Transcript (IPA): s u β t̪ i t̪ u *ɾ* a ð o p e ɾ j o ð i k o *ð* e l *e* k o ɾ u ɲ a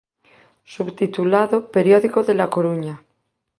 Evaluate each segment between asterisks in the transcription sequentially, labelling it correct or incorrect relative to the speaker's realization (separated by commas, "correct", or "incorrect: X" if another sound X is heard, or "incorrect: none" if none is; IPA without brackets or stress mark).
incorrect: l, correct, incorrect: a